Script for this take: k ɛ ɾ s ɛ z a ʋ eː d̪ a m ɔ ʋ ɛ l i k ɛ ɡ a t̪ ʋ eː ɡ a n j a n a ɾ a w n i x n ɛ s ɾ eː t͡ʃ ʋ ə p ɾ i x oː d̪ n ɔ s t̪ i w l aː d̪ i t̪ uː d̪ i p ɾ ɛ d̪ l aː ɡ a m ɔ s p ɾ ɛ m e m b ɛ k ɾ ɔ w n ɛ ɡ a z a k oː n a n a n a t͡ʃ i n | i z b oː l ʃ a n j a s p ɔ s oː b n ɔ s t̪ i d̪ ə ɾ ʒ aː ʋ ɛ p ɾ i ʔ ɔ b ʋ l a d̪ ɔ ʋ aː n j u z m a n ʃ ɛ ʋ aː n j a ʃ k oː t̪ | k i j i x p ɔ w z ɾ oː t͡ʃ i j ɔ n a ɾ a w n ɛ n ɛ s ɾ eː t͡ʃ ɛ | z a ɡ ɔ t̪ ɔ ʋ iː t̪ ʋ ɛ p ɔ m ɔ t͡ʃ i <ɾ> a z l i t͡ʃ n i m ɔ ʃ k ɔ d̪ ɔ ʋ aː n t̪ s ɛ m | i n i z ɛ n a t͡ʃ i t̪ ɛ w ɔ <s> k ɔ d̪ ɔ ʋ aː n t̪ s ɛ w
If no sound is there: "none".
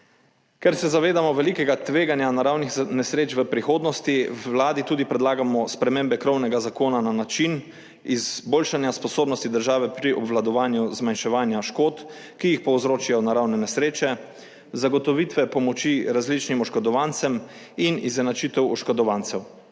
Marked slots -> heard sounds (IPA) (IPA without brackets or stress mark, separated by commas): ɾ, ʃ